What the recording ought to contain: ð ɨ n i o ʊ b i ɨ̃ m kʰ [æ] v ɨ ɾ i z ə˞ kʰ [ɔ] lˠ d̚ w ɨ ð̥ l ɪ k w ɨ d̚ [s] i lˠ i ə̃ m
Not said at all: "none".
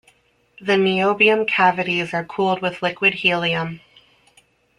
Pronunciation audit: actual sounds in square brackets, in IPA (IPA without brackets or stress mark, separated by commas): æ, u, h